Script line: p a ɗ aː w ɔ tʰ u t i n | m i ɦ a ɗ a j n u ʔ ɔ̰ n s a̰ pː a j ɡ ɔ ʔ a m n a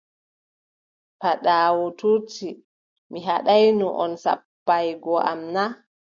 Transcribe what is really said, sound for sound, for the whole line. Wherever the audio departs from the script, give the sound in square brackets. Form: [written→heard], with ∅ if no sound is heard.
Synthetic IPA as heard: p a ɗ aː w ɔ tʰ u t i [n→∅] | m i ɦ a ɗ a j n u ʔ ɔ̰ n s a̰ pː a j ɡ ɔ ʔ a m n a